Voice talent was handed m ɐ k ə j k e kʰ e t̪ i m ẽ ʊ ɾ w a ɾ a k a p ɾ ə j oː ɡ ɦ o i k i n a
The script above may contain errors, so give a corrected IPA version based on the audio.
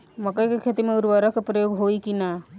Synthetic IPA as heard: m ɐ k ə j k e kʰ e t̪ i m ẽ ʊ ɾ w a ɾ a k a p ɾ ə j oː ɡ ɦ o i k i n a